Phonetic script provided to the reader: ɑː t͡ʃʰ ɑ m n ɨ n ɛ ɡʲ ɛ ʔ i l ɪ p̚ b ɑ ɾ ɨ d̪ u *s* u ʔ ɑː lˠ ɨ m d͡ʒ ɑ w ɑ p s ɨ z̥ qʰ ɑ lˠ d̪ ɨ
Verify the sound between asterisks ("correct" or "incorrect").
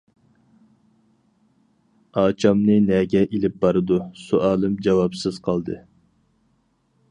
correct